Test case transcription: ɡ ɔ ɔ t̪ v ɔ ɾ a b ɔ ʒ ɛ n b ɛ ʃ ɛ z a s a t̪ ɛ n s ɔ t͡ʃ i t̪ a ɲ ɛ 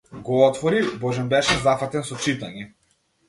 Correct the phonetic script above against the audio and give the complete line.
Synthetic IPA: ɡ ɔ ɔ t̪ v ɔ ɾ i b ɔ ʒ ɛ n b ɛ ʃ ɛ z a f a t̪ ɛ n s ɔ t͡ʃ i t̪ a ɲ ɛ